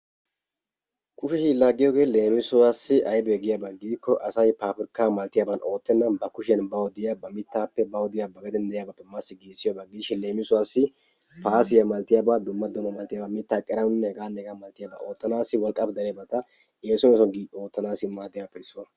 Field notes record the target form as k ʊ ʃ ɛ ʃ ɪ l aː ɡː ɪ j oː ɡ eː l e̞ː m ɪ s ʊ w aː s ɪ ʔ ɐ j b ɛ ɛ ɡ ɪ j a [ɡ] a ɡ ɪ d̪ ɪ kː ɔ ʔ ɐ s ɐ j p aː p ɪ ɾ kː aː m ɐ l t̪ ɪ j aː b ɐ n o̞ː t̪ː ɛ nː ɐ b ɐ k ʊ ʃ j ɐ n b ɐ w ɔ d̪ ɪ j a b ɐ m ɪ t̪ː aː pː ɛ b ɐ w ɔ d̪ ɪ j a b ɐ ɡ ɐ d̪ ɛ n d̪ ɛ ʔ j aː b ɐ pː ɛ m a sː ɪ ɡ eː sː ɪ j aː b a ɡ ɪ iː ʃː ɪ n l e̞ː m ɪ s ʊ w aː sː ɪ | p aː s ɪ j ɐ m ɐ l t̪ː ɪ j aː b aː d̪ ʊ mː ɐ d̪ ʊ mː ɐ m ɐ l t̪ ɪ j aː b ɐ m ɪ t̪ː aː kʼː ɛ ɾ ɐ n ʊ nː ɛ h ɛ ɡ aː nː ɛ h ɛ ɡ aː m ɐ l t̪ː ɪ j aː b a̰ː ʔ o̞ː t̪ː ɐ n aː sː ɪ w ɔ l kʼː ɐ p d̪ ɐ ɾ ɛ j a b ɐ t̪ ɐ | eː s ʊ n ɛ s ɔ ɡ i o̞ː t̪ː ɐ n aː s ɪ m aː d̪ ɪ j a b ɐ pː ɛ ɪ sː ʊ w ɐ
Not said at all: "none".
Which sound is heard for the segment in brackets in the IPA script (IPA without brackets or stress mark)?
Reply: b